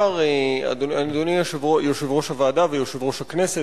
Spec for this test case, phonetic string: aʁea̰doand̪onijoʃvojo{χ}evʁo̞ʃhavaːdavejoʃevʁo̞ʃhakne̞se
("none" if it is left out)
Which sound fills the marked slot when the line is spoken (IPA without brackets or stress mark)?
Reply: ʃ